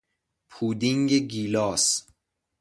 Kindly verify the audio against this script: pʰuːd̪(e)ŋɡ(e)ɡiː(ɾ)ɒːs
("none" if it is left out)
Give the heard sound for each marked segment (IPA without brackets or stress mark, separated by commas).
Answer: i, e, l